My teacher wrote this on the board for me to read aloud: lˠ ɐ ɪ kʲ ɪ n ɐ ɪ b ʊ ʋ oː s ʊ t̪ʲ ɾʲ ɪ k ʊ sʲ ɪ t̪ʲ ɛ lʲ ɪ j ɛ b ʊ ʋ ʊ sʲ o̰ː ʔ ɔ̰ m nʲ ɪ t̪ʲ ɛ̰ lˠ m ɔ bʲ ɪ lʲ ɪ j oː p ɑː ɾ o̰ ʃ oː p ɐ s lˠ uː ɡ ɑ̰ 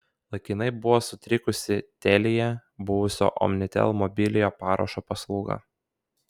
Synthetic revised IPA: lˠ ɐ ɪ kʲ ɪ n ɐ ɪ b ʊ ʋ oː s ʊ t̪ʲ ɾʲ ɪ k ʊ sʲ ɪ t̪ʲ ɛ lʲ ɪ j ɛ b ʊ ʋ ʊ sʲ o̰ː ʔ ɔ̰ m nʲ ɪ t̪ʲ ɛ̰ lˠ m ɔ bʲ ɪ lʲ ɪ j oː p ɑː ɾ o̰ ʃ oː p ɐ s lˠ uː ɡ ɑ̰

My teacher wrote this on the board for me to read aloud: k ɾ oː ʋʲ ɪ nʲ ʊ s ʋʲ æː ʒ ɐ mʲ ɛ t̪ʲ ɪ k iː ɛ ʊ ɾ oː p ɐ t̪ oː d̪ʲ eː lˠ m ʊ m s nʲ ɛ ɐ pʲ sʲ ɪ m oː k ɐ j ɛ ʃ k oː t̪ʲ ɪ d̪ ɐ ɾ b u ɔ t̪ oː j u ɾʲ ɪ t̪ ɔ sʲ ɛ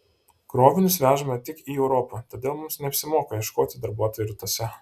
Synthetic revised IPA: k ɾ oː ʋʲ ɪ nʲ ʊ s ʋʲ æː ʒ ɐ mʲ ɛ t̪ʲ ɪ k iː ɛ ʊ ɾ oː p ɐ t̪ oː d̪ʲ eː lˠ m ʊ m s nʲ ɛ ɐ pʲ sʲ ɪ m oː k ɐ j ɛ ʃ k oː t̪ʲ ɪ d̪ ɐ ɾ b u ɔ t̪ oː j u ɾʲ ɪ t̪ ɔ sʲ ɛ

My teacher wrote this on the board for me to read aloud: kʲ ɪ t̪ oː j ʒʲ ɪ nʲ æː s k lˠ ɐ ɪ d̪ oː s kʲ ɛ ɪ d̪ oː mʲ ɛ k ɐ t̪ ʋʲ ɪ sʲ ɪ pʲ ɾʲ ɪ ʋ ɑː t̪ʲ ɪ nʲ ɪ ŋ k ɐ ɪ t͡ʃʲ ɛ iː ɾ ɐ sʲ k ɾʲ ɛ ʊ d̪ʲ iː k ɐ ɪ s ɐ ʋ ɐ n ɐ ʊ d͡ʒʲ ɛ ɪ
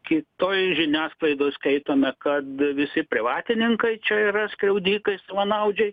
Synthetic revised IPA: kʲ ɪ t̪ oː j ʒʲ ɪ nʲ æː s k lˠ ɐ ɪ d̪ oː s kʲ ɛ ɪ t̪ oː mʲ ɛ k ɐ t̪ ʋʲ ɪ sʲ ɪ pʲ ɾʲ ɪ ʋ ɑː t̪ʲ ɪ nʲ ɪ ŋ k ɐ ɪ t͡ʃʲ ɛ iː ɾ ɐ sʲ k ɾʲ ɛ ʊ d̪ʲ iː k ɐ ɪ s ɐ ʋ ɐ n ɐ ʊ d͡ʒʲ ɛ ɪ

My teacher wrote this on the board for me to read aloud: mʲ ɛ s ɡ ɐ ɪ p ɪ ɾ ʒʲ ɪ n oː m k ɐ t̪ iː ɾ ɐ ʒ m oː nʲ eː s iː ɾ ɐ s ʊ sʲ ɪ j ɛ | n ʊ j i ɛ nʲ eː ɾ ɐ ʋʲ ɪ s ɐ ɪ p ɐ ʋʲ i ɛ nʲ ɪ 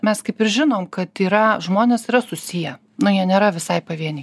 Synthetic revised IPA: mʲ ɛ s k ɐ ɪ p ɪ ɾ ʒʲ ɪ n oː m k ɐ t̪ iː ɾ ɐ ʒ m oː nʲ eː s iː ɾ ɐ s ʊ sʲ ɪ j ɛ | n ʊ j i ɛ nʲ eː ɾ ɐ ʋʲ ɪ s ɐ ɪ p ɐ ʋʲ i ɛ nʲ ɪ

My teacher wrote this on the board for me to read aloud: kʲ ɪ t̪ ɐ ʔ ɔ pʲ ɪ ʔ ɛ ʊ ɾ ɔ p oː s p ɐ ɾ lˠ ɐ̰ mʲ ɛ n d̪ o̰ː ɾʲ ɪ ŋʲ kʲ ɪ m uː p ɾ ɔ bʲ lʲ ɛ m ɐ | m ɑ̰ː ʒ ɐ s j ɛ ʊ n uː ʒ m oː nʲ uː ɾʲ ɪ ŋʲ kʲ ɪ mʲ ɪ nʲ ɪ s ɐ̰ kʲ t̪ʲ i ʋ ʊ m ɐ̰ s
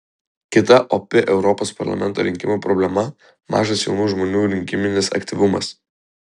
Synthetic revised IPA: kʲ ɪ t̪ ɐ ʔ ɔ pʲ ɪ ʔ ɛ ʊ ɾ ɔ p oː s p ɐ ɾ lˠ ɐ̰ mʲ ɛ n t̪ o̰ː ɾʲ ɪ ŋʲ kʲ ɪ m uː p ɾ ɔ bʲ lʲ ɛ m ɐ | m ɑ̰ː ʒ ɐ s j ɛ ʊ n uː ʒ m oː nʲ uː ɾʲ ɪ ŋʲ kʲ ɪ mʲ ɪ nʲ ɪ s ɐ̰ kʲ t̪ʲ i ʋ ʊ m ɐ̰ s

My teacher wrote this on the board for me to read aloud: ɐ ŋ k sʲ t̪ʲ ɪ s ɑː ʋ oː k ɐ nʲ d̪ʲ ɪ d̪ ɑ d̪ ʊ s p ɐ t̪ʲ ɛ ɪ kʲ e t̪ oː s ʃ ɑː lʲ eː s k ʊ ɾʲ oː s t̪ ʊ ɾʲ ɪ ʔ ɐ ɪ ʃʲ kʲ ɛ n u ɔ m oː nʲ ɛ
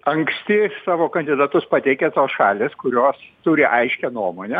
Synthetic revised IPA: ɐ ŋ k sʲ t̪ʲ ɪ s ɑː ʋ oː k ɐ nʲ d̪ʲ ɪ d̪ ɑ t̪ ʊ s p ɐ t̪ʲ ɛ ɪ kʲ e t̪ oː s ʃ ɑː lʲ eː s k ʊ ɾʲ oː s t̪ ʊ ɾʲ ɪ ʔ ɐ ɪ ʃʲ kʲ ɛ n u ɔ m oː nʲ ɛ

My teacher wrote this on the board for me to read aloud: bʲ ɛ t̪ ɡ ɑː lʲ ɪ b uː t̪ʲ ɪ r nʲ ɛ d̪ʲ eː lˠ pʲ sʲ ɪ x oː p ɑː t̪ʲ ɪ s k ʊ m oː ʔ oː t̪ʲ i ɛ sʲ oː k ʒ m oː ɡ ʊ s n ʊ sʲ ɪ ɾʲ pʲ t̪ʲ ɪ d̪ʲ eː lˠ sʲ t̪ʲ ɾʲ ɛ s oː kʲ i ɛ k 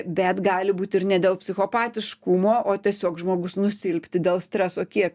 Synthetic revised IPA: bʲ ɛ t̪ ɡ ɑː lʲ ɪ b uː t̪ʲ ɪ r nʲ ɛ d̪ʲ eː lˠ pʲ sʲ ɪ x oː p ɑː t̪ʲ ɪ ʃ k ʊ m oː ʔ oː t̪ʲ i ɛ sʲ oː k ʒ m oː ɡ ʊ s n ʊ sʲ ɪ lʲ pʲ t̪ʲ ɪ d̪ʲ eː lˠ sʲ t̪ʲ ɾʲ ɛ s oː kʲ i ɛ k

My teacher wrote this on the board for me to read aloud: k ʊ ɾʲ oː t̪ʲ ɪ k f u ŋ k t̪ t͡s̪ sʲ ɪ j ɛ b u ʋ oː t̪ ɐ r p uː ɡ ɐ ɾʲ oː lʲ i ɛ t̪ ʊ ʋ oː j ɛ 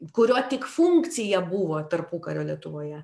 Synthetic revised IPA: k ʊ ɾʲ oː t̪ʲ ɪ k f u ŋ k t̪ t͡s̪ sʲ ɪ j ɛ b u ʋ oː t̪ ɐ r p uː k ɐ ɾʲ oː lʲ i ɛ t̪ ʊ ʋ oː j ɛ

